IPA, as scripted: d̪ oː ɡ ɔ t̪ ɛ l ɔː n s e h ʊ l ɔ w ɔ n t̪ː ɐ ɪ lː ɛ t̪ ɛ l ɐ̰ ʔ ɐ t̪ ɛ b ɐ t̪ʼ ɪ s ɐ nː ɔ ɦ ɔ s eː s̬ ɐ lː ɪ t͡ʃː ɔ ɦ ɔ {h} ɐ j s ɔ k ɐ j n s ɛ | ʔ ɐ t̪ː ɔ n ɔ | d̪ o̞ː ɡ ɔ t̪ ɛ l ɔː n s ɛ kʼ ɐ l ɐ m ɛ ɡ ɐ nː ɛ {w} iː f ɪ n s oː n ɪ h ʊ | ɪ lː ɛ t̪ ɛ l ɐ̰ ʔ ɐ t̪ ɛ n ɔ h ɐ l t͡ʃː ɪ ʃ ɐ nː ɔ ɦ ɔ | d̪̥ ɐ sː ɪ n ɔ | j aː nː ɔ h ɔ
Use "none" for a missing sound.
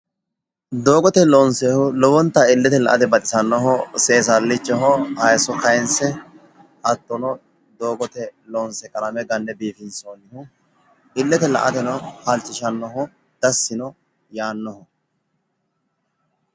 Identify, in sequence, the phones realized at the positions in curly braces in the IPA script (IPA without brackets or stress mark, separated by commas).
h, b